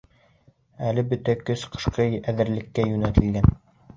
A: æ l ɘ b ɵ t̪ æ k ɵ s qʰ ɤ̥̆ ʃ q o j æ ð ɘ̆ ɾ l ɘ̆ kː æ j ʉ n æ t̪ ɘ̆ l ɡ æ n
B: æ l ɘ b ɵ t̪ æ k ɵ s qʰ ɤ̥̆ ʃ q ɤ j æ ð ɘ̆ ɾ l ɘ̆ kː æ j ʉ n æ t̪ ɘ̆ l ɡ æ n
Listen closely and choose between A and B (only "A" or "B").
B